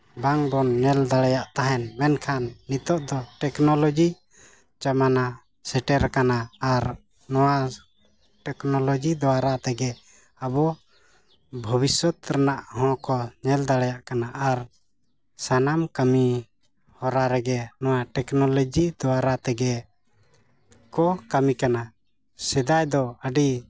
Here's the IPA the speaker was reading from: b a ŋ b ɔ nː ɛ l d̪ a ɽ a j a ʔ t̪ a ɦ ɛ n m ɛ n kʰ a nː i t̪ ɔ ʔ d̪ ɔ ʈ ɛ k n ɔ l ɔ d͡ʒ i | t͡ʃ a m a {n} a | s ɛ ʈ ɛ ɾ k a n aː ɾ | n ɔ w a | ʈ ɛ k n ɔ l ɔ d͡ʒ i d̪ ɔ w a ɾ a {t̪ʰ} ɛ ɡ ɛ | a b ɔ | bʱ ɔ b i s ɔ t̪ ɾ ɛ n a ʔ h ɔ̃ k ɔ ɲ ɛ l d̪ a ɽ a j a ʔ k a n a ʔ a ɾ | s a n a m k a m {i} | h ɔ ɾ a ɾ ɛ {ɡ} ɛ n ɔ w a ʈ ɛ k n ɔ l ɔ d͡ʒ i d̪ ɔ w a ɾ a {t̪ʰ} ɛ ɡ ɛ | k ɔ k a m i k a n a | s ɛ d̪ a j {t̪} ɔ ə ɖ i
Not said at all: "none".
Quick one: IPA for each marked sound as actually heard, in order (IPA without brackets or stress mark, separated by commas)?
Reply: n, t̪, i, ɡ, t̪, d̪